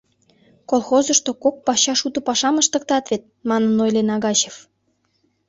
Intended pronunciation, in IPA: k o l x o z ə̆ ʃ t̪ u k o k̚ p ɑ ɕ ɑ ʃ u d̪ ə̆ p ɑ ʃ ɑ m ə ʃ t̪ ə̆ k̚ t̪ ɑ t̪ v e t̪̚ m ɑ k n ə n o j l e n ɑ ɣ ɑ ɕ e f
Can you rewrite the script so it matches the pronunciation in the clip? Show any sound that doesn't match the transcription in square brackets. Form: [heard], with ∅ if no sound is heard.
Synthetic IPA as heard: k o l x o z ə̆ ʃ t̪ [o] k o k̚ p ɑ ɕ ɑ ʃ u [t̪] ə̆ p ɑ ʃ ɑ m ə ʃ t̪ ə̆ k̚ t̪ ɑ t̪ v e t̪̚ m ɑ [∅] n ə n o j l e n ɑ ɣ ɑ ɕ e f

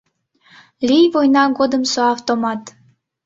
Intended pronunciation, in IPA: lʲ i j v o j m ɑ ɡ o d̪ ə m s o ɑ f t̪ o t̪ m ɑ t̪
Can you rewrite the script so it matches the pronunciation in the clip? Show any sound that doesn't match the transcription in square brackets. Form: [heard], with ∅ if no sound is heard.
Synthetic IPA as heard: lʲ i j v o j [n] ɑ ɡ o d̪ ə m s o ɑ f t̪ o [∅] m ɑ t̪

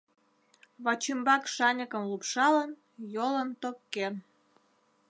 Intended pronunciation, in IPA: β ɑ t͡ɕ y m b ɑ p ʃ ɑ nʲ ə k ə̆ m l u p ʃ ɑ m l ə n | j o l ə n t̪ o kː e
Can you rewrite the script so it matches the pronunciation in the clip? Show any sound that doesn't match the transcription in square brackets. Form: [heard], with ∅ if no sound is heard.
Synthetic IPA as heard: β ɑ t͡ɕ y m b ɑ [k] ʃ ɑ nʲ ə k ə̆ m l u p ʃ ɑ [∅] l ə n | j o l ə n t̪ o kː e

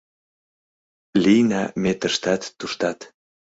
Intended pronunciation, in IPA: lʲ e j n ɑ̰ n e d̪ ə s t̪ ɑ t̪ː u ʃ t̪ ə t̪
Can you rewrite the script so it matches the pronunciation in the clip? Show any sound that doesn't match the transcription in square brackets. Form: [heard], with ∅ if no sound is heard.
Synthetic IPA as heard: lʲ [i] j n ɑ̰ [m] e [t̪] ə [ʃ] t̪ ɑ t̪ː u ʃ t̪ [ɑ] t̪

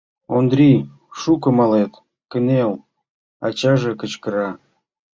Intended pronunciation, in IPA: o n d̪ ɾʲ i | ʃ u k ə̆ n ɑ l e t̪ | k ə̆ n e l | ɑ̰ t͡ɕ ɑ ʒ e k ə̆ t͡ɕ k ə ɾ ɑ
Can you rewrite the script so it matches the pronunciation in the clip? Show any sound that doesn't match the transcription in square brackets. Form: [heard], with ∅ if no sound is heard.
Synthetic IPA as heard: o n d̪ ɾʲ i | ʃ u k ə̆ [m] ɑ l e t̪ | k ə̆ n e l | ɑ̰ t͡ɕ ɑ ʒ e k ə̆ t͡ɕ k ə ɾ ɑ

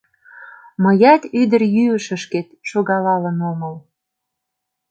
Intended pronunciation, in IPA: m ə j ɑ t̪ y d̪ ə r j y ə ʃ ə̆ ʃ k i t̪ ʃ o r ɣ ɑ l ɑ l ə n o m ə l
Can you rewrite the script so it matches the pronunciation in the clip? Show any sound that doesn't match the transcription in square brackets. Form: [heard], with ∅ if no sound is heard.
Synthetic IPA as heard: m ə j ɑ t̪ y d̪ ə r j y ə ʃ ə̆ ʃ k [e] t̪ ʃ o [∅] ɣ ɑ l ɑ l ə n o m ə l

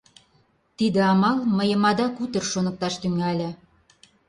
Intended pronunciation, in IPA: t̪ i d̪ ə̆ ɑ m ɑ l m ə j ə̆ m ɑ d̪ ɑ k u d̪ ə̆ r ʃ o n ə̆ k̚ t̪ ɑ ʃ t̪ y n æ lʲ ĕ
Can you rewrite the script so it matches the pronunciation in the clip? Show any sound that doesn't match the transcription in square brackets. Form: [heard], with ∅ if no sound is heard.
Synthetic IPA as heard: t̪ i d̪ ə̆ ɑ m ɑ l m ə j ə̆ m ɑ d̪ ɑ k u [t̪] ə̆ r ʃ o n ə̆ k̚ t̪ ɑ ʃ t̪ y [ŋ] æ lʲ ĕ

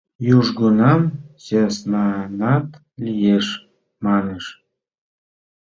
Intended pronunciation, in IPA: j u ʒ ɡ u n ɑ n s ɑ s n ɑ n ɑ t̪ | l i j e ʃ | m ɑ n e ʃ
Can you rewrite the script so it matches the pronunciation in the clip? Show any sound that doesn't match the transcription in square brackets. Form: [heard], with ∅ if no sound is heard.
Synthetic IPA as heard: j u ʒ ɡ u n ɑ [m] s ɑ s n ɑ n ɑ t̪ | l i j e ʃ | m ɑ n e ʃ

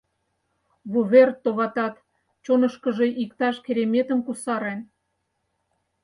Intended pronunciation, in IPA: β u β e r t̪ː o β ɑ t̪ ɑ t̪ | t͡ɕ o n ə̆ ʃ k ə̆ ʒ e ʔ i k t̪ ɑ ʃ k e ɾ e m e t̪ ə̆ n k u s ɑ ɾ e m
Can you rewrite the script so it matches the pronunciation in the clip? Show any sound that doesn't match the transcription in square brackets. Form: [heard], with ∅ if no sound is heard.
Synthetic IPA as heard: β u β e r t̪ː o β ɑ t̪ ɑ t̪ | t͡ɕ o n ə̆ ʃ k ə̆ ʒ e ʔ i k t̪ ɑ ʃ k e ɾ e m e t̪ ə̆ [m] k u s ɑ ɾ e [n]

